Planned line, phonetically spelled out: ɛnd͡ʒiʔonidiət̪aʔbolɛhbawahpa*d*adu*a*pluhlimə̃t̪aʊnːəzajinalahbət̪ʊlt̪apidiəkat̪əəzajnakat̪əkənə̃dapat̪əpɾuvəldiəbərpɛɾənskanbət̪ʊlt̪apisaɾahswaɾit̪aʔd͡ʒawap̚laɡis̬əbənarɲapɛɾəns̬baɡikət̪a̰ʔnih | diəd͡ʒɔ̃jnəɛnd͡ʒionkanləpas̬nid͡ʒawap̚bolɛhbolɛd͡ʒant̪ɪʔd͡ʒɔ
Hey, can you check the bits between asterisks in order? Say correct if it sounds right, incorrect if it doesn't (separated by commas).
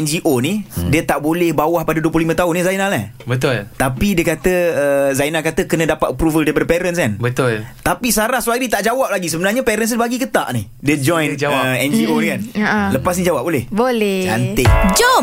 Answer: correct, incorrect